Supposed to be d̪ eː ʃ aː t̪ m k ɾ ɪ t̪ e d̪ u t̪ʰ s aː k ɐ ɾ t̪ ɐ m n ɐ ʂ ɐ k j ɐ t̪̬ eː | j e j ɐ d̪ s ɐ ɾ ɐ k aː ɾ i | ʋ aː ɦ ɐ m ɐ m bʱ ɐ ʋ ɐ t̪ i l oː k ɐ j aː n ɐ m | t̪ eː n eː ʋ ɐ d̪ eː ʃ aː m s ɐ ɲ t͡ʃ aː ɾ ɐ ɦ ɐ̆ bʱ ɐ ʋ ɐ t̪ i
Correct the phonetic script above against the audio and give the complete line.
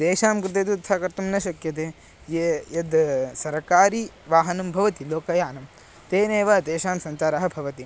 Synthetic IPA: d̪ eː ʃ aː m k ɾ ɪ t̪ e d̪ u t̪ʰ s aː k ɐ ɾ t̪ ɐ m n ɐ ʃ ɐ k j ɐ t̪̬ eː | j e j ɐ d̪ s ɐ ɾ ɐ k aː ɾ i | ʋ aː ɦ ɐ n ɐ m bʱ ɐ ʋ ɐ t̪ i l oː k ɐ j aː n ɐ m | t̪ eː n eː ʋ ɐ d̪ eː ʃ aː m s ɐ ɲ t͡ʃ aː ɾ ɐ ɦ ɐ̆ bʱ ɐ ʋ ɐ t̪ i

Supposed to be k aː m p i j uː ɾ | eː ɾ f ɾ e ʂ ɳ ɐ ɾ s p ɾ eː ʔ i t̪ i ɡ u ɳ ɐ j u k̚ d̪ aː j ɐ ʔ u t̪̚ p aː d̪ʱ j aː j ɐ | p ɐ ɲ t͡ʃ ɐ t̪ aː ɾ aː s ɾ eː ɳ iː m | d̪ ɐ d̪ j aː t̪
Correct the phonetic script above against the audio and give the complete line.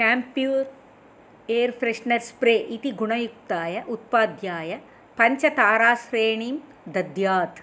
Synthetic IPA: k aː m p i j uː ɾ | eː ɾ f ɾ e ʂ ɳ ɐ ɾ s p ɾ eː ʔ i t̪ i ɡ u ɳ ɐ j u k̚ t̪ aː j ɐ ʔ u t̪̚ p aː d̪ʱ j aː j ɐ | p ɐ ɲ t͡ʃ ɐ t̪ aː ɾ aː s ɾ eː ɳ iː m | d̪ ɐ d̪ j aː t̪

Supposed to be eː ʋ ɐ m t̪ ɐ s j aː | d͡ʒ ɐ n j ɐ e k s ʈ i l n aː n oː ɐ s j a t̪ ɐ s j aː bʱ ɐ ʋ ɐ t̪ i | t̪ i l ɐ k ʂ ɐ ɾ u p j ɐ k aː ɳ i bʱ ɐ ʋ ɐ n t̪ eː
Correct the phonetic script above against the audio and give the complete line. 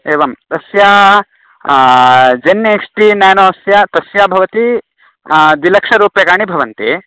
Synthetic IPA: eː ʋ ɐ m t̪ ɐ s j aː | d͡ʒ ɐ n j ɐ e k s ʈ i n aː n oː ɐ s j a t̪ ɐ s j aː bʱ ɐ ʋ ɐ t̪ i | d̪ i l ɐ k ʂ ɐ ɾ uː p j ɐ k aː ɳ i bʱ ɐ ʋ ɐ n t̪ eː

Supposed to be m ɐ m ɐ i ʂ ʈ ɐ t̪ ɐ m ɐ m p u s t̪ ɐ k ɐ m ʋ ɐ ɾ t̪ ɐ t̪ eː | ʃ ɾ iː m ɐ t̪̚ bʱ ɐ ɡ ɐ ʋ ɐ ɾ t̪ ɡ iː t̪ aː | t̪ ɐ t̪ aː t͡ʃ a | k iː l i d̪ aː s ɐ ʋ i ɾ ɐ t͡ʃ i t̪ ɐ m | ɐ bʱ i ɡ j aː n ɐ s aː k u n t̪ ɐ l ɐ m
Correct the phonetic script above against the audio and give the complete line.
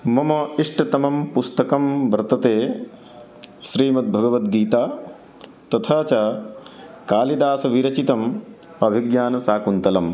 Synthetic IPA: m ɐ m ɐ i ʂ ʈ ɐ t̪ ɐ m ɐ m p u s t̪ ɐ k ɐ m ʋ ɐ ɾ t̪ ɐ t̪ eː | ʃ ɾ iː m ɐ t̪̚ bʱ ɐ ɡ ɐ ʋ ɐ t̪ ɡ iː t̪ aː | t̪ ɐ t̪ʰ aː t͡ʃ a | k aː l i d̪ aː s ɐ ʋ i ɾ ɐ t͡ʃ i t̪ ɐ m | ɐ bʱ i ɡ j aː n ɐ s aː k u n t̪ ɐ l ɐ m

